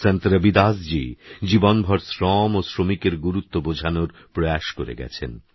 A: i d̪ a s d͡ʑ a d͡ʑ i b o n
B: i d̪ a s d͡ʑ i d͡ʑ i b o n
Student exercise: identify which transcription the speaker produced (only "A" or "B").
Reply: B